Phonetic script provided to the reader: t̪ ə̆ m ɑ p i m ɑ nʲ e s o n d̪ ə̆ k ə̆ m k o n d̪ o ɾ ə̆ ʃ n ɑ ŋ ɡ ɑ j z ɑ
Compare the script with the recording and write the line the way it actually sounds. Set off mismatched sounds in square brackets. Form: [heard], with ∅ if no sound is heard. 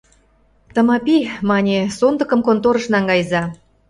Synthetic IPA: t̪ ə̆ m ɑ p i m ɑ nʲ e s o n d̪ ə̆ k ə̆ m k o n [t̪] o ɾ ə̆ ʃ n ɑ ŋ ɡ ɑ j z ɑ